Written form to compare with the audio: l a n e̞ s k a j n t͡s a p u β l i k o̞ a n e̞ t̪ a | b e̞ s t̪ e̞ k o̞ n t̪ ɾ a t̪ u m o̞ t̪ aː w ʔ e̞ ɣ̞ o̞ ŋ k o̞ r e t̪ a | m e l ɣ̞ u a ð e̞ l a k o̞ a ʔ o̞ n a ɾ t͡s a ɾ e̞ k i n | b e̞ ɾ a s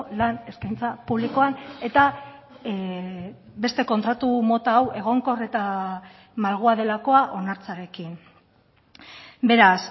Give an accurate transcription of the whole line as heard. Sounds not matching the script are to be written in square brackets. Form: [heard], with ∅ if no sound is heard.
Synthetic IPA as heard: l a n e̞ s k a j n t͡s a p u β l i k o̞ a n e̞ t̪ a | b e̞ s t̪ e̞ k o̞ n t̪ ɾ a t̪ u m o̞ t̪ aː w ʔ e̞ ɣ̞ o̞ ŋ k o̞ r e t̪ a | m [a] l ɣ̞ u a ð e̞ l a k o̞ a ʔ o̞ n a ɾ t͡s a ɾ e̞ k i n | b e̞ ɾ a s